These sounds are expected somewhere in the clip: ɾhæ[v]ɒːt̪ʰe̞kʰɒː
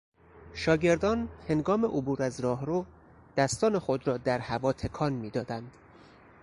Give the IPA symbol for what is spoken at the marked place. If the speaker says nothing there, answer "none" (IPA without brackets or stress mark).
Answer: v